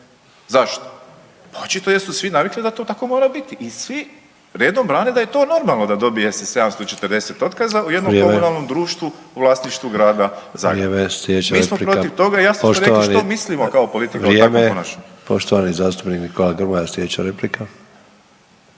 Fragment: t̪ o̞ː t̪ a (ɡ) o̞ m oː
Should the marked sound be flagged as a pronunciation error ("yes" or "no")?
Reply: yes